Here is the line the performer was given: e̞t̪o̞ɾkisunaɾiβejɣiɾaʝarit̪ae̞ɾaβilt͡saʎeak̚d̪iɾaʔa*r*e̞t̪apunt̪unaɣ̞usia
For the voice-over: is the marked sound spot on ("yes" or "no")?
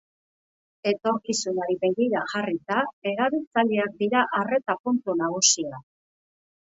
yes